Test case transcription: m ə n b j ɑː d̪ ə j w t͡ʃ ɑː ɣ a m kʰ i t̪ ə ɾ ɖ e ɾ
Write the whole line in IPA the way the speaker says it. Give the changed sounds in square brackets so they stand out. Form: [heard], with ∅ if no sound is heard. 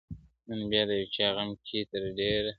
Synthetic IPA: [n] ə n b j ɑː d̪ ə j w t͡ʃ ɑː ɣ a m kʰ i t̪ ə ɾ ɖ e ɾ